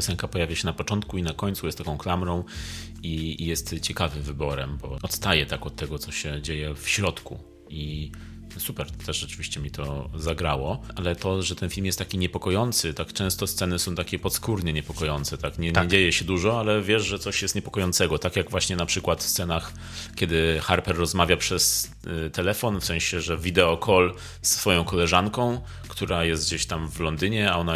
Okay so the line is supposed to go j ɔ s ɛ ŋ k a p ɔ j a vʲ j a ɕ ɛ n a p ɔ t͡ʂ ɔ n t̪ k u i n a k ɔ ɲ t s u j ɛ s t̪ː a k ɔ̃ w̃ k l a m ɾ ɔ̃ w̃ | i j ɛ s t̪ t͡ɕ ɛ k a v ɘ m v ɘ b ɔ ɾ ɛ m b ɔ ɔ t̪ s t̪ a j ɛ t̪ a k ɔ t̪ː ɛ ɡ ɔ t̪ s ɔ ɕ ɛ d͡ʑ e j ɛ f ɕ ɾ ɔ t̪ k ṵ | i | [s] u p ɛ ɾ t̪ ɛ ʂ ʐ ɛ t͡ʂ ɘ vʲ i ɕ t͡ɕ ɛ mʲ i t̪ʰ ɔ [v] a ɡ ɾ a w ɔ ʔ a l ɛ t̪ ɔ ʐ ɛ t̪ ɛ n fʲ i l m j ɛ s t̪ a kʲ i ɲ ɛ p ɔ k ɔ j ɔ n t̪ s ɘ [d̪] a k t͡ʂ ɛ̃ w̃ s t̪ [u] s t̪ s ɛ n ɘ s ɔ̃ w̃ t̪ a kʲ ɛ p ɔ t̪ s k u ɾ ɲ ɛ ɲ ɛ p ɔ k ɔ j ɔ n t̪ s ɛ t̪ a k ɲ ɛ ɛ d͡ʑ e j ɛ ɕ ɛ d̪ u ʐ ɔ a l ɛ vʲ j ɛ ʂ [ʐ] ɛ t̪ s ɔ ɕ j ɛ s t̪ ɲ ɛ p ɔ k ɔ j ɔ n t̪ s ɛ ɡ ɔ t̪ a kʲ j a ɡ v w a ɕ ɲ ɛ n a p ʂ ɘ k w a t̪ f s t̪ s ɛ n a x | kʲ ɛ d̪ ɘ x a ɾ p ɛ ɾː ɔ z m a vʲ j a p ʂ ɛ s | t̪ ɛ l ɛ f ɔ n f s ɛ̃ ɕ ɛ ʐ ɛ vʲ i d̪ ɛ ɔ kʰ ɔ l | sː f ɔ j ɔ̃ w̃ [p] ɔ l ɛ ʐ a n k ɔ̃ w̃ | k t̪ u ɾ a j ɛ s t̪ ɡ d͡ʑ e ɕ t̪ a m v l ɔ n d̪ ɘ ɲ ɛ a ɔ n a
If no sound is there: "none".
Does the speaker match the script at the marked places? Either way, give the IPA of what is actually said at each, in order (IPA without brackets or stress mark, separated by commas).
s, z, t̪, ɔ, ʐ, k